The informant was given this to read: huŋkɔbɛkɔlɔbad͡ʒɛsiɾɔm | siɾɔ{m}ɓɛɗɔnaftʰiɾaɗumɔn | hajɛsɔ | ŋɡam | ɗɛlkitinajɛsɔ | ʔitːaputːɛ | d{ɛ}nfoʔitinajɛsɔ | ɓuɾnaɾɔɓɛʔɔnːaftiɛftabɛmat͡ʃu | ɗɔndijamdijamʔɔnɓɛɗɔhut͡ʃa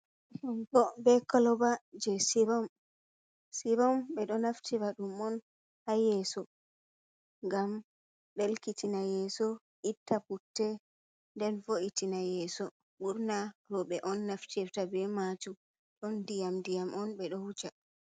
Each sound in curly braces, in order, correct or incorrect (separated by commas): correct, correct